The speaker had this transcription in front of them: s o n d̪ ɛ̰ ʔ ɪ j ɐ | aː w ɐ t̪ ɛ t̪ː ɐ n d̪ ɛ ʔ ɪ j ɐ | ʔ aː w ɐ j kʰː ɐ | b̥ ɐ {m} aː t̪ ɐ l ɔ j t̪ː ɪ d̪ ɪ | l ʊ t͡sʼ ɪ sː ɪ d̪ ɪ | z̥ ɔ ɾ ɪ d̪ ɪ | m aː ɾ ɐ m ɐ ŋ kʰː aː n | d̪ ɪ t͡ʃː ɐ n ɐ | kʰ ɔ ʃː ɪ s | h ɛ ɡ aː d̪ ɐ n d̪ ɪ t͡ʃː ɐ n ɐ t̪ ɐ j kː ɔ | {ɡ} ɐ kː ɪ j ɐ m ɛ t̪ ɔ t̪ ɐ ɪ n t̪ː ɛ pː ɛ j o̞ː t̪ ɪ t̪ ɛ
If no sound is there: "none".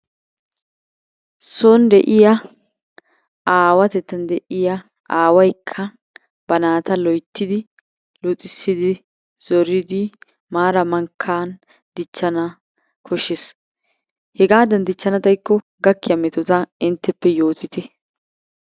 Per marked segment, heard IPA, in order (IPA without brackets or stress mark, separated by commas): n, ɡ